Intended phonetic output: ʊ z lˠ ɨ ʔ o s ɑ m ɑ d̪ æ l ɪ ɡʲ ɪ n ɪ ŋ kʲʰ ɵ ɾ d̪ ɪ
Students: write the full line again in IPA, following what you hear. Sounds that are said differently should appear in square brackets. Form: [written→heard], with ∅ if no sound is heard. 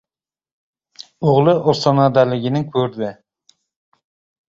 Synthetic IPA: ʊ [z→ʁ] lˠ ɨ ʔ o s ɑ [m→n] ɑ d̪ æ l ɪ ɡʲ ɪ n ɪ ŋ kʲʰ ɵ ɾ d̪ ɪ